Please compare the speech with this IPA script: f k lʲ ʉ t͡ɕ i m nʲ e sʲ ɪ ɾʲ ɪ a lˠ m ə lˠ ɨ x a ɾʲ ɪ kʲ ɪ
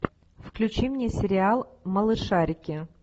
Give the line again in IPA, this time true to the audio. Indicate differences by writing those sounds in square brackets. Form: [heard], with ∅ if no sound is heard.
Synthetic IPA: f k lʲ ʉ t͡ɕ i m nʲ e sʲ ɪ ɾʲ ɪ a lˠ m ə lˠ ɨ [ʂ] a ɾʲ ɪ kʲ ɪ

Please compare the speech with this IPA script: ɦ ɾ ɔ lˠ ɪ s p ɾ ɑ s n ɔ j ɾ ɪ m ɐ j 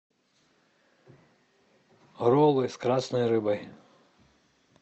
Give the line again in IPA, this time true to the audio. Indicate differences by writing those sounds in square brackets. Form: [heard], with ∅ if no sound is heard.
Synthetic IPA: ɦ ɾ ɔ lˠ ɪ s [k] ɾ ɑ s n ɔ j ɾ ɪ [b] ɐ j

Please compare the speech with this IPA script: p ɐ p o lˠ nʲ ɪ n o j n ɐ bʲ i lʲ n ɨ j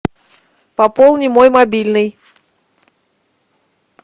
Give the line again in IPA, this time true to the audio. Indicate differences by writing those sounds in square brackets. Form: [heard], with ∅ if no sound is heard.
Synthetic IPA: p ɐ p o lˠ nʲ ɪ [m] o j [m] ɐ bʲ i lʲ n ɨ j

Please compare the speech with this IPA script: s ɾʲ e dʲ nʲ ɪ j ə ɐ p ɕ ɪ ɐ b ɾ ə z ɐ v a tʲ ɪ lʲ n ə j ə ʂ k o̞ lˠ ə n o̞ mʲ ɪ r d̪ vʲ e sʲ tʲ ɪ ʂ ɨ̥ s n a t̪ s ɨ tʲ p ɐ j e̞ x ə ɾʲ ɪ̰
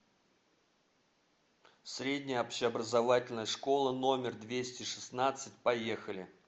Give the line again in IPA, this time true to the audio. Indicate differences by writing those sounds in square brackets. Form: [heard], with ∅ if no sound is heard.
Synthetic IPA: s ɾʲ e dʲ nʲ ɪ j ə ɐ p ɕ ɪ ɐ b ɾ ə z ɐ v a tʲ ɪ lʲ n ə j ə ʂ k o̞ lˠ ə n o̞ mʲ ɪ r d̪ vʲ e sʲ tʲ ɪ ʂ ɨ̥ s n a t̪ s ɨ tʲ p ɐ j e̞ x ə [lʲ] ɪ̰

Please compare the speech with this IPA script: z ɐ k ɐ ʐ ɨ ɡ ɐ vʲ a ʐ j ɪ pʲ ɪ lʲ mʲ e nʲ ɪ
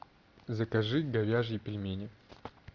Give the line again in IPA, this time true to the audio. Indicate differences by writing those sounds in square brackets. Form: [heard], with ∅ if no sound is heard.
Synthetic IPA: z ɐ k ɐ ʐ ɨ ɡ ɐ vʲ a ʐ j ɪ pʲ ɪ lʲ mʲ e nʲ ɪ

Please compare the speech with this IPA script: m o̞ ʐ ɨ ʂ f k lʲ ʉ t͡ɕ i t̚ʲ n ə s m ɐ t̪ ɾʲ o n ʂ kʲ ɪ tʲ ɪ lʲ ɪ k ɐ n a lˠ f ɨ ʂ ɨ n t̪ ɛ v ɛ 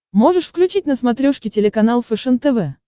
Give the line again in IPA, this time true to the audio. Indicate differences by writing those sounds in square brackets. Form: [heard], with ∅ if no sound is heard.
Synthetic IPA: m o̞ ʐ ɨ ʂ f k lʲ ʉ t͡ɕ i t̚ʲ n ə s m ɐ t̪ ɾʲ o [∅] ʂ kʲ ɪ tʲ ɪ lʲ ɪ k ɐ n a lˠ f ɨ ʂ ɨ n t̪ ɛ v ɛ

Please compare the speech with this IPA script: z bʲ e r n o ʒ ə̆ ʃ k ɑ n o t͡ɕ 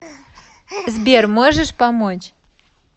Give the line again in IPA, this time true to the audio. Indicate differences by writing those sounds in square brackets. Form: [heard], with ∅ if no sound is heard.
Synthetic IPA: z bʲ e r [m] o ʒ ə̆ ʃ [p] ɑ [m] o t͡ɕ

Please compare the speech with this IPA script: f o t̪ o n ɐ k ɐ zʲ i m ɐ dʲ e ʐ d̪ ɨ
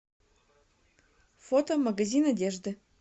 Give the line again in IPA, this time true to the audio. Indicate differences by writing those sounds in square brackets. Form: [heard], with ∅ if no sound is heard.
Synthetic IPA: f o t̪ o [m] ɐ [ɡ] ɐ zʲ i [n] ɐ dʲ e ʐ d̪ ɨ

